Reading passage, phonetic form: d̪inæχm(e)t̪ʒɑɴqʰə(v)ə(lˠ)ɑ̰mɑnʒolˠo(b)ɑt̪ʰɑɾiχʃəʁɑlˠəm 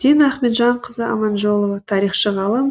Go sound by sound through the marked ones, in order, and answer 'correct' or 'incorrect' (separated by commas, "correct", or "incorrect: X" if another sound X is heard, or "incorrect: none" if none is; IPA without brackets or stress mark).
correct, incorrect: z, incorrect: none, incorrect: v